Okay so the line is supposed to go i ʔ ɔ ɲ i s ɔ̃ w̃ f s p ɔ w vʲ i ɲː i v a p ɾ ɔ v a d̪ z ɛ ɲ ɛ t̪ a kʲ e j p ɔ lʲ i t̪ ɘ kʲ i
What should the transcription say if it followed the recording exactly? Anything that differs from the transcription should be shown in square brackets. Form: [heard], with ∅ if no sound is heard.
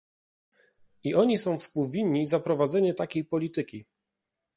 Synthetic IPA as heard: i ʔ ɔ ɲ i s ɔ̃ w̃ f s p [u] w vʲ i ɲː i [z] a p ɾ ɔ v a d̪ z ɛ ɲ ɛ t̪ a kʲ e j p ɔ lʲ i t̪ ɘ kʲ i